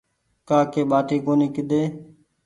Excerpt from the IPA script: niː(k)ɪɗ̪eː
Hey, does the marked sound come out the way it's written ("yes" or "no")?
yes